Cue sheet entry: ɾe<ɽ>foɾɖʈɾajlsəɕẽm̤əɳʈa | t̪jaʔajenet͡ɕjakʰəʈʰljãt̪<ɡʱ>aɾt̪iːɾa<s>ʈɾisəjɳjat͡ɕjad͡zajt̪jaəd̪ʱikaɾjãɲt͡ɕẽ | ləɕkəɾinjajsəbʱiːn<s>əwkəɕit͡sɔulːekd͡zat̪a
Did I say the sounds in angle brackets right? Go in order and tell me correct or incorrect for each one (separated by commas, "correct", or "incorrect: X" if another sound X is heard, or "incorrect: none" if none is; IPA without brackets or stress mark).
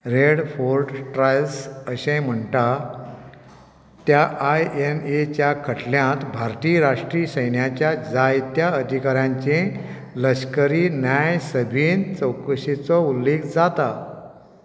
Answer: correct, incorrect: bʱ, incorrect: ʂ, incorrect: t͡s